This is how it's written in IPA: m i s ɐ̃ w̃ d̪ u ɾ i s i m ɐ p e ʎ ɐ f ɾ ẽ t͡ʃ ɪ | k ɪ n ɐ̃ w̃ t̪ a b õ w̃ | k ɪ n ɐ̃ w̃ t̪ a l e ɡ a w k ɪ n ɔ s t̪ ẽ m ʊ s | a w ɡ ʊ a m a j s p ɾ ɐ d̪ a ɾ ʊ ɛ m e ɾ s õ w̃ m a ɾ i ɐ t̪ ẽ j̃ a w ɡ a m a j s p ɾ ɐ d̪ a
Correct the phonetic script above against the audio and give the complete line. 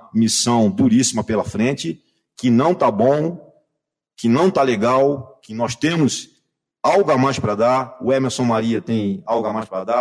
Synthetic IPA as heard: m i s ɐ̃ w̃ d̪ u ɾ i s i m ɐ p e l ɐ f ɾ ẽ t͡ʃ ɪ | k ɪ n ɐ̃ w̃ t̪ a b õ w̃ | k ɪ n ɐ̃ w̃ t̪ a l e ɡ a w k ɪ n ɔ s t̪ ẽ m ʊ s | a w ɡ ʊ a m a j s p ɾ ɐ d̪ a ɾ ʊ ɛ m e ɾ s õ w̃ m a ɾ i ɐ t̪ ẽ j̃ a w ɡ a m a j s p ɾ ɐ d̪ a